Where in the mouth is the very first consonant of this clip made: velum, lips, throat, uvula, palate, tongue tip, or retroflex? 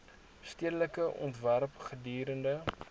tongue tip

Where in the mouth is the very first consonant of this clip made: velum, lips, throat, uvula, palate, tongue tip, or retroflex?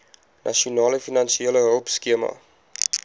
tongue tip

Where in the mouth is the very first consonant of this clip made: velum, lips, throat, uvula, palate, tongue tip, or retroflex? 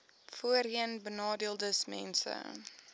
lips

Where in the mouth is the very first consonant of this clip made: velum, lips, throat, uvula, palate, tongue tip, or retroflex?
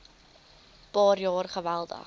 lips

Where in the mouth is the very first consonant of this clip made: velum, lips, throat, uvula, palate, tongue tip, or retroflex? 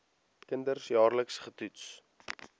velum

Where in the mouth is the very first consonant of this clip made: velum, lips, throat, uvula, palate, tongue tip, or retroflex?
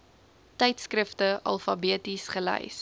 tongue tip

